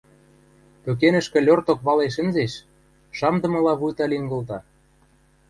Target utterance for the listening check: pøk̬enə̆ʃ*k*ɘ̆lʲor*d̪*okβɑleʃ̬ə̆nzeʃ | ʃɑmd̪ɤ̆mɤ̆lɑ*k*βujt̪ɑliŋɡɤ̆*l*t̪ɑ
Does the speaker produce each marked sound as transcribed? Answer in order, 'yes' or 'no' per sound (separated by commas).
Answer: yes, no, no, yes